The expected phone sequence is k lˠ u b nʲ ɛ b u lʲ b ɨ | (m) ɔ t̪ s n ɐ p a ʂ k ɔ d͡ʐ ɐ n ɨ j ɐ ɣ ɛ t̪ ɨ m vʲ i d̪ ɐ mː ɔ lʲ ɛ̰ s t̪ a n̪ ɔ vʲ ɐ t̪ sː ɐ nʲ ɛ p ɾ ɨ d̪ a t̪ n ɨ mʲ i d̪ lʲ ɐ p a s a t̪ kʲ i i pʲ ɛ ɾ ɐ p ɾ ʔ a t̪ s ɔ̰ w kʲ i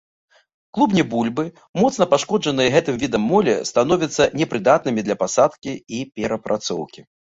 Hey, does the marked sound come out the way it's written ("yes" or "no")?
yes